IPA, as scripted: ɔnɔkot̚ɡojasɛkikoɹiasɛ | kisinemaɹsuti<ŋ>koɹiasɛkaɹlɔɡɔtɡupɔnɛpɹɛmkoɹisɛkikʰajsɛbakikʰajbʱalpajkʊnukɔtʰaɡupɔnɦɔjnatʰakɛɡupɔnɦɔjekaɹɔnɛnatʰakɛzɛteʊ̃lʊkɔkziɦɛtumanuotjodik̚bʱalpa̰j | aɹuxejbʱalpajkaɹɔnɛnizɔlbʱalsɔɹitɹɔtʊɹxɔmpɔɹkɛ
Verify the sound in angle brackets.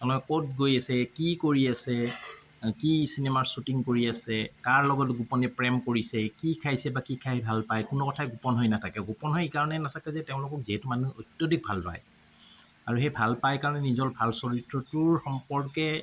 correct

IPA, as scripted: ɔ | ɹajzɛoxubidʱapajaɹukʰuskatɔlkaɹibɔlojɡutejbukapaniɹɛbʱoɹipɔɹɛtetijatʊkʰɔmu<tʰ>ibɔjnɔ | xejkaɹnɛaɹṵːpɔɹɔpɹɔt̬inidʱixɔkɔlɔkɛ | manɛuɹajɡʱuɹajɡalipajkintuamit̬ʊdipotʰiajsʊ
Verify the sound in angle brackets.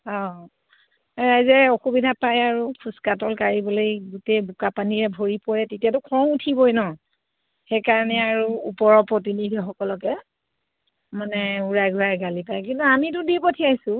correct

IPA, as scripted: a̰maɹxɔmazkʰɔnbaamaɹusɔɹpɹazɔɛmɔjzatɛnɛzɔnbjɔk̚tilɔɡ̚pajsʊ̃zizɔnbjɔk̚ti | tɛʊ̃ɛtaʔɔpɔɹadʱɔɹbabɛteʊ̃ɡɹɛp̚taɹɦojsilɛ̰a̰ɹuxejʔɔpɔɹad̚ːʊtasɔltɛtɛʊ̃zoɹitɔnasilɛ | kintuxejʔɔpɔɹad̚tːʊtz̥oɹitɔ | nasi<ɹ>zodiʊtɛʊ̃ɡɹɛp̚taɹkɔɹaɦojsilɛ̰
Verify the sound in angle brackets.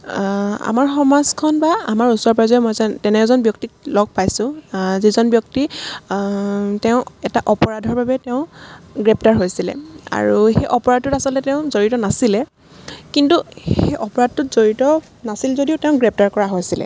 incorrect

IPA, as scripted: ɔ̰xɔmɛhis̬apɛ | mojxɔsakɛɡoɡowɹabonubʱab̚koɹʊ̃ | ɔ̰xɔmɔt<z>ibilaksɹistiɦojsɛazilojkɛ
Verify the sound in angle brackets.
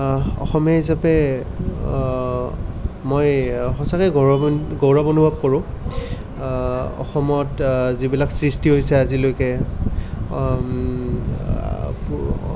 correct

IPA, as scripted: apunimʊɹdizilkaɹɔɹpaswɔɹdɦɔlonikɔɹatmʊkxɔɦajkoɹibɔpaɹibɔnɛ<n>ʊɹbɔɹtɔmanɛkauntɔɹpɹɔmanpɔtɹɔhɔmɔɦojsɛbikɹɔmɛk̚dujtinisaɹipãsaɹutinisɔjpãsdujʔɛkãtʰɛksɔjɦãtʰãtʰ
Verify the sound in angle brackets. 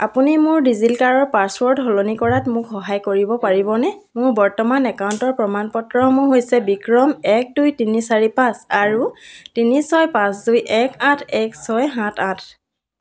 incorrect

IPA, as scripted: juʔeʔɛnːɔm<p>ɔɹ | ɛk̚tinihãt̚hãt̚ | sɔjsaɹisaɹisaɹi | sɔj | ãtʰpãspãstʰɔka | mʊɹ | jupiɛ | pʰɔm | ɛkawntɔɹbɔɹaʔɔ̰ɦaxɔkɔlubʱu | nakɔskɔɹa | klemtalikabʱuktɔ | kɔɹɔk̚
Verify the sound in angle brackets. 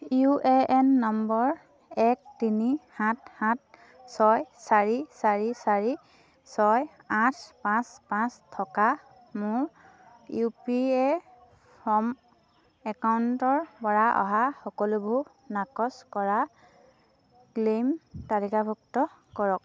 incorrect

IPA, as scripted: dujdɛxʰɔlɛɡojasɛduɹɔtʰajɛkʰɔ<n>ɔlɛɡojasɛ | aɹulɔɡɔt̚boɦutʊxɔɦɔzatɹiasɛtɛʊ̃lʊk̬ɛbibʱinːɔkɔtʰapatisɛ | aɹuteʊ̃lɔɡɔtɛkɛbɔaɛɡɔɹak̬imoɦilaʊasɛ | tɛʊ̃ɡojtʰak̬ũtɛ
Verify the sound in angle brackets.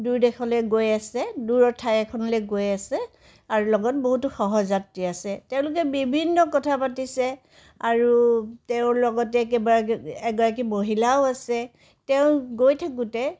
correct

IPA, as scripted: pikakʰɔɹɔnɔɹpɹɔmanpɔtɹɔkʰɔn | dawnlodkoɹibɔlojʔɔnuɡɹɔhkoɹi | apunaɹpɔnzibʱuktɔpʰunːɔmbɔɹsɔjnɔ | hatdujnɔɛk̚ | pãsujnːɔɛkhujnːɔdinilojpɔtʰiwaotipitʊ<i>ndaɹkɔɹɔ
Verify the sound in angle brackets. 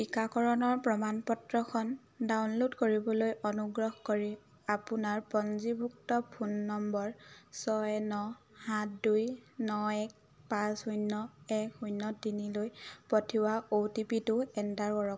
incorrect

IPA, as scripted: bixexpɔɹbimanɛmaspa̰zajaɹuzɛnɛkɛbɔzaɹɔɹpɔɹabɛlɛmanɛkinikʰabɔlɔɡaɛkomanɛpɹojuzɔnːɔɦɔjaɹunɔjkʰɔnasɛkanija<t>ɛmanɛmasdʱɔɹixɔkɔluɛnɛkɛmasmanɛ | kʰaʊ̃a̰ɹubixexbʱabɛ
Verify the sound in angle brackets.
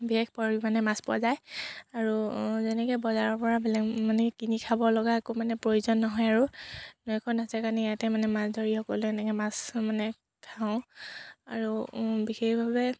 correct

